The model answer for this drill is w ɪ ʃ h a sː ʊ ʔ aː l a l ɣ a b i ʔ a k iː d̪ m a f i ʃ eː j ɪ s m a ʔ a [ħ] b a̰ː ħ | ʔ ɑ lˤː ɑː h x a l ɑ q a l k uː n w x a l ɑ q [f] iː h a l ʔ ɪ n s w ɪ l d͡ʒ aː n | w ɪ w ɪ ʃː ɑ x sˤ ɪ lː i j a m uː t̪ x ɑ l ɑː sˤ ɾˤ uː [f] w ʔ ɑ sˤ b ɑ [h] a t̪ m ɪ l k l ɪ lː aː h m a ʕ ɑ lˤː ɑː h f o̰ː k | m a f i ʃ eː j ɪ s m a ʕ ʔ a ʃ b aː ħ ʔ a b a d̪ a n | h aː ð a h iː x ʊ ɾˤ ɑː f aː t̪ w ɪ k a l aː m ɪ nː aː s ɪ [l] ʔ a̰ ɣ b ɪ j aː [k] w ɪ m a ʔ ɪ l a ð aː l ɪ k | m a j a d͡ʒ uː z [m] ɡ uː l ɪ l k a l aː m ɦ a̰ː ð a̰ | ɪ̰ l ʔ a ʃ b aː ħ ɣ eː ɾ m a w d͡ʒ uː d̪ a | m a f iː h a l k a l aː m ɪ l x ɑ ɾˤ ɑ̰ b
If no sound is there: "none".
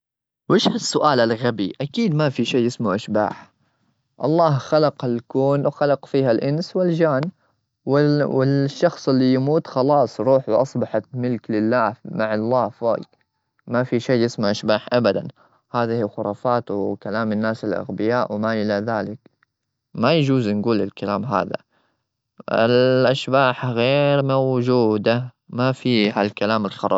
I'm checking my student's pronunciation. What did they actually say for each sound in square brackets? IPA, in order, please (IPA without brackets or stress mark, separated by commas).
ʃ, f, ħ, ħ, l, ʔ, n